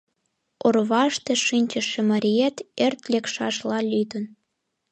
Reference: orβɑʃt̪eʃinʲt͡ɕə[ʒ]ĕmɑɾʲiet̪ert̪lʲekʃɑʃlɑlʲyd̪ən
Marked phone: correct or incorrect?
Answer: incorrect